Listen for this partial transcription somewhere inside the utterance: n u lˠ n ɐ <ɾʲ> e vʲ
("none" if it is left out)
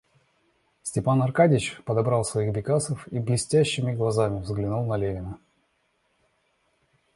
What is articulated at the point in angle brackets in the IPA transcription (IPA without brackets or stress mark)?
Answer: lʲ